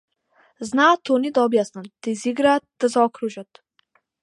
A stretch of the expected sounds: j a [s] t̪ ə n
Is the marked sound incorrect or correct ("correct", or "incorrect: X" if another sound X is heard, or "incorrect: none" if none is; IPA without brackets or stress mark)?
correct